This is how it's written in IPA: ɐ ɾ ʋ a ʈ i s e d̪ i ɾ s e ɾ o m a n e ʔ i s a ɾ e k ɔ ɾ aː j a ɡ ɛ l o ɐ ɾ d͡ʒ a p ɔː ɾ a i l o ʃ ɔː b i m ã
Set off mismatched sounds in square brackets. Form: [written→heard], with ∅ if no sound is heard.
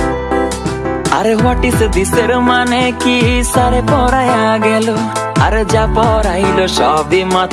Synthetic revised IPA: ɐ ɾ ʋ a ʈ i s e d̪ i [ɾ→∅] s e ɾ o m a n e [ʔ→k] i s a ɾ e [k→p] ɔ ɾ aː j a ɡ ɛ l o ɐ ɾ d͡ʒ a p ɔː ɾ a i l o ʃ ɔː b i m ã